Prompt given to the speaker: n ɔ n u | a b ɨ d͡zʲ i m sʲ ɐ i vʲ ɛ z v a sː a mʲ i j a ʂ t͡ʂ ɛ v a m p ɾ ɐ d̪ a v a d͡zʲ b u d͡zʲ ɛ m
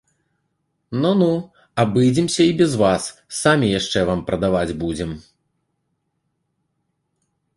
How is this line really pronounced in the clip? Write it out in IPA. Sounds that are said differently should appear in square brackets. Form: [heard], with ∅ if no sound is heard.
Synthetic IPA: n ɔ n u | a b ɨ d͡zʲ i m sʲ ɐ i [bʲ] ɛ z v a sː a mʲ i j a ʂ t͡ʂ ɛ v a m p ɾ ɐ d̪ a v a d͡zʲ b u d͡zʲ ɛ m